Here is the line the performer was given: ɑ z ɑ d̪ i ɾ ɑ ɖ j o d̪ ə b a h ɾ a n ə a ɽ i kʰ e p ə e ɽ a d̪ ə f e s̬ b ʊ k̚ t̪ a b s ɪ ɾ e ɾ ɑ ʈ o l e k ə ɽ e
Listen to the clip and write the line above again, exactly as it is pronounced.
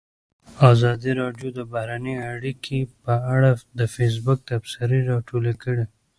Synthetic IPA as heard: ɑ z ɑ d̪ i ɾ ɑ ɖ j o d̪ ə b a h ɾ a n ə a ɽ i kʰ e p ə a ɽ a d̪ ə f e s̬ b ʊ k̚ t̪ a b s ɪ ɾ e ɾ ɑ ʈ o l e k ə ɽ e